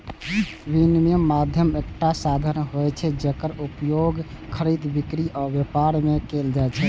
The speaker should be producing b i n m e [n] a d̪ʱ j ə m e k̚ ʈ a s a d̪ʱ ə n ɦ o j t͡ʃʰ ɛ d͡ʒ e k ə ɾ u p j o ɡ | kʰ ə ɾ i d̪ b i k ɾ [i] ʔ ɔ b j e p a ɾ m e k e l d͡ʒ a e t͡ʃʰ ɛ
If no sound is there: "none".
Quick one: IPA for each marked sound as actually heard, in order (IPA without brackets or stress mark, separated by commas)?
m, i